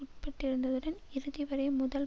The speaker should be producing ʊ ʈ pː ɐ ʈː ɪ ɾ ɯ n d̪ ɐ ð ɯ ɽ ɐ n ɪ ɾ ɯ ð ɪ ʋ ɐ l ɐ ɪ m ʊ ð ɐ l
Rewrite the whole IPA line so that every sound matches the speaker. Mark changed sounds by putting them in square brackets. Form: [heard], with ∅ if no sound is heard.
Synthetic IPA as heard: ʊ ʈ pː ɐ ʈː ɪ ɾ ɯ n d̪ ɐ ð ɯ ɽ ɐ n ɪ ɾ ɯ ð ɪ ʋ ɐ [ɾ] ɐ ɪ m ʊ ð ɐ l